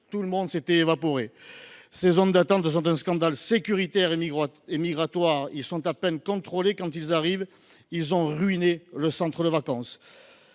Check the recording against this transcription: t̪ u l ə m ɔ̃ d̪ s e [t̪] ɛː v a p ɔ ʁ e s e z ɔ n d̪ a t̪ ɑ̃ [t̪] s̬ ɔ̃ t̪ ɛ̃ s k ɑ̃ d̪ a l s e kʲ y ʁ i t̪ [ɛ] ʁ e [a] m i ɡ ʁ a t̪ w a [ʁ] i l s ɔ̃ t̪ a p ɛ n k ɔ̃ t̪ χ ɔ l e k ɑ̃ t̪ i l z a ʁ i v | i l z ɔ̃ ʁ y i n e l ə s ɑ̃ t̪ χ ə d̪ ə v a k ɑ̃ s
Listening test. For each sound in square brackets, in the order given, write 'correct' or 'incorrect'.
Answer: correct, correct, correct, incorrect: e, correct

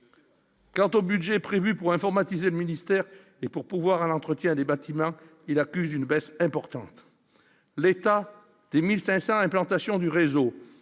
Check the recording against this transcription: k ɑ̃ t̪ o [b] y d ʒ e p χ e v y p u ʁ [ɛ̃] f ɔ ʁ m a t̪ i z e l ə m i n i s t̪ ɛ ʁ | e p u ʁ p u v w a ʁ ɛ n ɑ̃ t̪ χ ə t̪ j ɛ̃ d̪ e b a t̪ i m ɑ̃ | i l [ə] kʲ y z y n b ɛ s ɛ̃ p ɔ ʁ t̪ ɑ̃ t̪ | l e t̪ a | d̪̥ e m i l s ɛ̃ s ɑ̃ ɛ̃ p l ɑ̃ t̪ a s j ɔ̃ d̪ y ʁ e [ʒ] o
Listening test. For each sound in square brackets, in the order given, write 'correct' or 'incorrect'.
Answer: correct, correct, incorrect: a, incorrect: z

